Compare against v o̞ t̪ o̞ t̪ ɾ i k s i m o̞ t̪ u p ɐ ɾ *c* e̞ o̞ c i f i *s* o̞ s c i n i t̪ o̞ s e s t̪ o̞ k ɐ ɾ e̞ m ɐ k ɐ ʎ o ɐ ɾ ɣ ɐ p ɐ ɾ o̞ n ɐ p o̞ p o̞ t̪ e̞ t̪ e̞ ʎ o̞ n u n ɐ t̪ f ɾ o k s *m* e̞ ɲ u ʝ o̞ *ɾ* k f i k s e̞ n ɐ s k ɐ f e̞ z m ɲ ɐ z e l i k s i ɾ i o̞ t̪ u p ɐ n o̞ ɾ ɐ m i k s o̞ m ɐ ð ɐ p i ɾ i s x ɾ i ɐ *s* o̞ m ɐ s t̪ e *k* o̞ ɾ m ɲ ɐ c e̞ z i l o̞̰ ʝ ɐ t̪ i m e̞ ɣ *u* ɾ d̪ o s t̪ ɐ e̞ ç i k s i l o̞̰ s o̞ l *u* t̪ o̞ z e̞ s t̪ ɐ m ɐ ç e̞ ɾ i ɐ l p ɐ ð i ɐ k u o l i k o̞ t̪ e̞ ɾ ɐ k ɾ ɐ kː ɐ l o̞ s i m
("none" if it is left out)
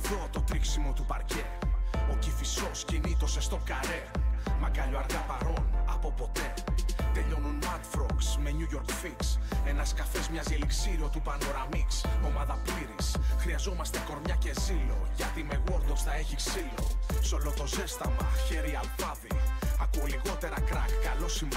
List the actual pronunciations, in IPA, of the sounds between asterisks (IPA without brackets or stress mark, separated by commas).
c, s, m, ɾ, z, k, o, o